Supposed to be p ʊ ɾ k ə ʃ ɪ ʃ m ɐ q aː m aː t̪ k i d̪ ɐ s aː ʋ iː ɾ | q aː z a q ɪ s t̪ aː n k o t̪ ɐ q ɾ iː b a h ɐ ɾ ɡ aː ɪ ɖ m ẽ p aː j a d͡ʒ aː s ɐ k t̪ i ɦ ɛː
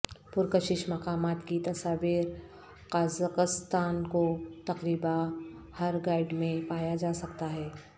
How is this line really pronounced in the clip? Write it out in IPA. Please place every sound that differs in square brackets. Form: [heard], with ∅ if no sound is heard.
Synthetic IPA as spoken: p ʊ ɾ k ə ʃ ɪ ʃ m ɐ q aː m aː t̪ k i [t̪] ɐ s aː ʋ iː ɾ | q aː z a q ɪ s t̪ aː n k o t̪ ɐ q ɾ iː b a h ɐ ɾ ɡ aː ɪ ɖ m ẽ p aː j a d͡ʒ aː s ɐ k t̪ [a] ɦ ɛː